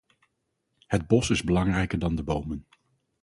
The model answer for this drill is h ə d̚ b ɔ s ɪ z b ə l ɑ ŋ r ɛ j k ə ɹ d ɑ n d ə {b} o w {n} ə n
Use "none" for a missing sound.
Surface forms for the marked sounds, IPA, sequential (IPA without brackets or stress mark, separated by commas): b, m